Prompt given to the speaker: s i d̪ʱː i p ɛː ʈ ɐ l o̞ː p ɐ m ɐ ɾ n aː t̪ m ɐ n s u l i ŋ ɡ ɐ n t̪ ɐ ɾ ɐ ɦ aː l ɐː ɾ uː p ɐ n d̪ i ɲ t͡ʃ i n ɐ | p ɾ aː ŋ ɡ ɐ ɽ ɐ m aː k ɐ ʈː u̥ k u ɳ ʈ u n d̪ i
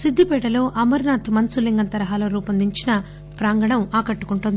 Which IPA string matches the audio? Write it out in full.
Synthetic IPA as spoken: s i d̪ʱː i p ɛː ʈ ɐ l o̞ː ʔ ɐ m ɐ ɾ n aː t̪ m ɐ n s u l i ŋ ɡ ɐ n t̪ ɐ ɾ ɐ ɦ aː l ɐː ɾ uː p ɐ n d̪ i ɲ t͡ʃ i n ɐ | p ɾ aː ŋ ɡ ɐ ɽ ɐ m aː k ɐ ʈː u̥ k u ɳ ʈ u n d̪ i